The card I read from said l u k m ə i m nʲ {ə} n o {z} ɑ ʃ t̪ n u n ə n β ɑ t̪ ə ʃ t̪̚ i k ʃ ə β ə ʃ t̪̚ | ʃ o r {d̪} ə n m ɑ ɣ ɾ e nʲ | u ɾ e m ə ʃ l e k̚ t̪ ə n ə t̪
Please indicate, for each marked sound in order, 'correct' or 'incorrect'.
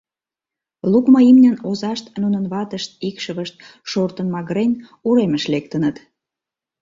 correct, correct, incorrect: t̪

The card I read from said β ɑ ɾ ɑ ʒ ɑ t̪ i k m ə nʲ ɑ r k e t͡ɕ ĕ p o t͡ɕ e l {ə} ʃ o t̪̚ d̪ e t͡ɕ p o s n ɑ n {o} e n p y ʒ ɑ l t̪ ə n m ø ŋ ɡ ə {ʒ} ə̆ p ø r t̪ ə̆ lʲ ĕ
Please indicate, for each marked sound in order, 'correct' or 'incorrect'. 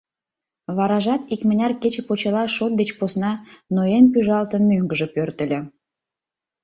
incorrect: ɑ, correct, correct

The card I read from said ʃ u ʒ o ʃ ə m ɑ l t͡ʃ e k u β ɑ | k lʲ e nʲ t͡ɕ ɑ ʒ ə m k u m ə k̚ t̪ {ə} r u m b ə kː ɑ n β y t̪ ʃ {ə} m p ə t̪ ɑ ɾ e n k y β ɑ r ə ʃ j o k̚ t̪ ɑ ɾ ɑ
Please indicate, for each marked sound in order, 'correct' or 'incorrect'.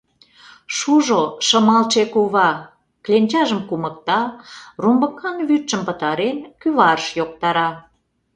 incorrect: ɑ, correct

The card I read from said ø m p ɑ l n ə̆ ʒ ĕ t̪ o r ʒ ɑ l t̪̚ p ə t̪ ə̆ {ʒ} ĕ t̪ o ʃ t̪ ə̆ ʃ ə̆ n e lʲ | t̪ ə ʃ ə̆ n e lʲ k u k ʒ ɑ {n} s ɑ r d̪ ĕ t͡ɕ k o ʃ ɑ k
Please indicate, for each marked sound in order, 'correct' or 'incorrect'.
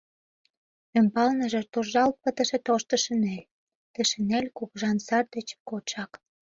incorrect: ʃ, correct

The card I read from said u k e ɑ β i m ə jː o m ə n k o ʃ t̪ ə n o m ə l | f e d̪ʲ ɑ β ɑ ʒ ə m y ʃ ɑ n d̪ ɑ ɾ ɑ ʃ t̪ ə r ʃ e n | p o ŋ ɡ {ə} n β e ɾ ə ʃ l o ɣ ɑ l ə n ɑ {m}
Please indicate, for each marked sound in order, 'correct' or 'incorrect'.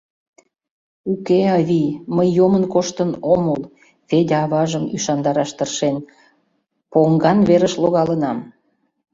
incorrect: ɑ, correct

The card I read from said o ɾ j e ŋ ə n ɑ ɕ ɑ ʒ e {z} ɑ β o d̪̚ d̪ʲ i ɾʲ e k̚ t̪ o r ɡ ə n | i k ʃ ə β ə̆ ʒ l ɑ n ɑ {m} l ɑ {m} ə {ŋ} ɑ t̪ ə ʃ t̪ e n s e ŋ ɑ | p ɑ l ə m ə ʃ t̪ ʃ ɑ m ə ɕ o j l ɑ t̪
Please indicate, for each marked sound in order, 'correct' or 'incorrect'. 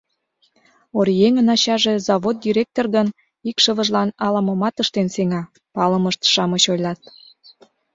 correct, incorrect: none, correct, incorrect: m

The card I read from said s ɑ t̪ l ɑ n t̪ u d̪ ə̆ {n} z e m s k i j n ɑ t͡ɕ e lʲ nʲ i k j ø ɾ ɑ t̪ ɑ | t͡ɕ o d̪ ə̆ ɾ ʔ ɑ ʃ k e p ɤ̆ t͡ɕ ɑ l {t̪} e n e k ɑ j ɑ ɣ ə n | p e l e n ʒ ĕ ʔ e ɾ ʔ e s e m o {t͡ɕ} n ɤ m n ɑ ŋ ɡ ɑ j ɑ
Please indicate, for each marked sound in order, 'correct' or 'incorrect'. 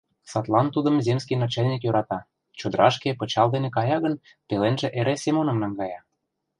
incorrect: m, incorrect: d̪, incorrect: none

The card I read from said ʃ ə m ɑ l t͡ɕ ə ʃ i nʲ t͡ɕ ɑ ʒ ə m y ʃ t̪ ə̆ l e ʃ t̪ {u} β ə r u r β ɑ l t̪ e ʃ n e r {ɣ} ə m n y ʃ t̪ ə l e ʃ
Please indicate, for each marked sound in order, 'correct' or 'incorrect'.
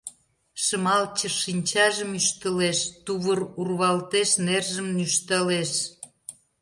correct, incorrect: ʒ

